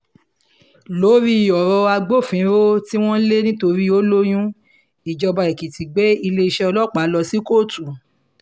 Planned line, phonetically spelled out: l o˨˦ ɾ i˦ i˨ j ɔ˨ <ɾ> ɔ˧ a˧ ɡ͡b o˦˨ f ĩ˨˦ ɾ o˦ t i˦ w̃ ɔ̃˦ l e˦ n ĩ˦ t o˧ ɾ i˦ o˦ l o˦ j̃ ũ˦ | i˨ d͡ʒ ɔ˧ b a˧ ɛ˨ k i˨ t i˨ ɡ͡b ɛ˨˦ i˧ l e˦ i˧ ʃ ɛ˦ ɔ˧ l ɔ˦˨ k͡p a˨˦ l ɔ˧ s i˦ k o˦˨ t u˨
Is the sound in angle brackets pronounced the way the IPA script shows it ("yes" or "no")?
yes